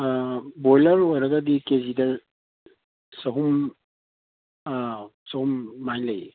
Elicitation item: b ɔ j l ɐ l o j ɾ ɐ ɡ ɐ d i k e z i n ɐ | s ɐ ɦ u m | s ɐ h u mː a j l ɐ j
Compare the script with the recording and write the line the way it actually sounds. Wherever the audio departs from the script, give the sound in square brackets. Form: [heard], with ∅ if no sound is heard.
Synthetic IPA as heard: b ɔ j l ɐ [ɾ] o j ɾ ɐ ɡ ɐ d i k e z i [d] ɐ | s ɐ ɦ u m | s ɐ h u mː a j l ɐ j

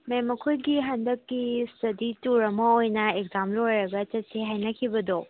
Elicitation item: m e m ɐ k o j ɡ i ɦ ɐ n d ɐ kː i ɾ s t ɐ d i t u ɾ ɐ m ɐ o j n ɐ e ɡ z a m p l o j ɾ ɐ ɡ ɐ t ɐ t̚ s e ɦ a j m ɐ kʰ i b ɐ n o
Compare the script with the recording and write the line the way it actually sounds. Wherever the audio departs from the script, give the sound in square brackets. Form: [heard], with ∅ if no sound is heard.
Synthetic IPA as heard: m e m ɐ [kʰ] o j ɡ i ɦ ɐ n d ɐ kː i [∅] s t ɐ d i t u ɾ ɐ m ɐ o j n ɐ e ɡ z a m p l o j ɾ ɐ ɡ ɐ [t͡ʃ] ɐ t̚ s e ɦ a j [n] ɐ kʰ i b ɐ [d] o

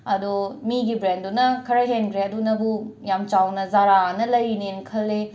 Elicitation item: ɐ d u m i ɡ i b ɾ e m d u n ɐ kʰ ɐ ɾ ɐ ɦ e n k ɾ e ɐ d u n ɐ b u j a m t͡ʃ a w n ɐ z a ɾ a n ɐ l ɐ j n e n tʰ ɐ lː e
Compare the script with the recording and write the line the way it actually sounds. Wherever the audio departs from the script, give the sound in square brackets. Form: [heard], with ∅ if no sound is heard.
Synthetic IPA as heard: ɐ d u m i ɡ i b ɾ e [n] d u n ɐ kʰ ɐ ɾ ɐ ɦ e n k ɾ e ɐ d u n ɐ b u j a m t͡ʃ a w n ɐ z a ɾ a n ɐ l ɐ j n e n [kʰ] ɐ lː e

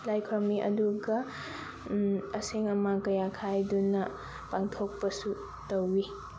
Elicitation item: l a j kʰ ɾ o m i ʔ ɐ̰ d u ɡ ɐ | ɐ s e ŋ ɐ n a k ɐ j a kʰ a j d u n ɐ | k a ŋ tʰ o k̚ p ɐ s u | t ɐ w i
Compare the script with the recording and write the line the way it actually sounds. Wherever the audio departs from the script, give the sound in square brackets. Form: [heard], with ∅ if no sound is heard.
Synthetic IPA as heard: l a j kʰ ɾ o m i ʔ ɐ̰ d u ɡ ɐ | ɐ s e ŋ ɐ [m] a k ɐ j a kʰ a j d u n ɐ | [p] a ŋ tʰ o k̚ p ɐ s u | t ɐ w i

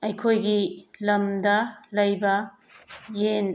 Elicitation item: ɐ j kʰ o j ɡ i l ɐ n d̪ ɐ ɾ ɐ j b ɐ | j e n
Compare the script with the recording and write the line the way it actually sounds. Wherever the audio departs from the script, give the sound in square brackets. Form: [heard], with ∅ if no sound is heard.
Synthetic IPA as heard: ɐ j kʰ o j ɡ i l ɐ [m] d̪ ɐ [l] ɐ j b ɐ | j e n

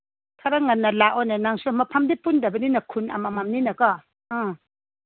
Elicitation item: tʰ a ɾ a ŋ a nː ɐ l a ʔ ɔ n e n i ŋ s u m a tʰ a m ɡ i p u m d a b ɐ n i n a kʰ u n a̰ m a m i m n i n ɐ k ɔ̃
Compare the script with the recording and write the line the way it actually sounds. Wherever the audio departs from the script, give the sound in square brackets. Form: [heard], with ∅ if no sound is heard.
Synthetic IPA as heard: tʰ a ɾ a ŋ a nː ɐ l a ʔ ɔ n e n [a] ŋ s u m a [pʰ] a m [d] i p u [n] d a b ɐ n i n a kʰ u n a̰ m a m [a] m n i n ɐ k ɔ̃

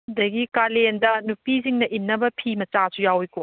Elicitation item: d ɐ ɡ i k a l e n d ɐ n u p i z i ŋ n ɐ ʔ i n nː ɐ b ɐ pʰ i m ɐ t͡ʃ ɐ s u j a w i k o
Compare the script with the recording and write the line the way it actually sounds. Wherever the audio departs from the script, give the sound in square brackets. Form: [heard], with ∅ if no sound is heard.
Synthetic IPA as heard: d ɐ ɡ i k a l e n d ɐ n u p i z i ŋ n ɐ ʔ i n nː ɐ b ɐ pʰ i m ɐ t͡ʃ [a] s u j a w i k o

